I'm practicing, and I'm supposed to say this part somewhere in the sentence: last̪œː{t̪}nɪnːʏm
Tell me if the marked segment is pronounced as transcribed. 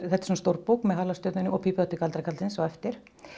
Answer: yes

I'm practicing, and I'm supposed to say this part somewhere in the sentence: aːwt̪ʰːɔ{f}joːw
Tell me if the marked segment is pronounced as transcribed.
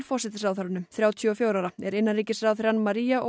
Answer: yes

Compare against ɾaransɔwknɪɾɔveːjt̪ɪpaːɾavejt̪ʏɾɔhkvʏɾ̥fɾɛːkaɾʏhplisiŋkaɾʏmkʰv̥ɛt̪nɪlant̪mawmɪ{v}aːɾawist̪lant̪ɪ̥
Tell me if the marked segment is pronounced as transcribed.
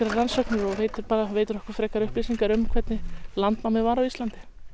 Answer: yes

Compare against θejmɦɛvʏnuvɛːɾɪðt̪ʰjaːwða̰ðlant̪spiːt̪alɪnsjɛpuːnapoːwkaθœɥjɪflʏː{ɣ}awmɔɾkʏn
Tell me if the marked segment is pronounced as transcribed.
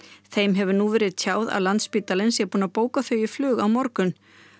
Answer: yes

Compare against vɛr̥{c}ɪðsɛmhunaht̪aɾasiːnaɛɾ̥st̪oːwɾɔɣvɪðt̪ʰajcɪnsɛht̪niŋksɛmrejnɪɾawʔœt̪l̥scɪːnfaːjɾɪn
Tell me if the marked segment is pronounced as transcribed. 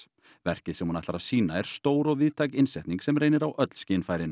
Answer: yes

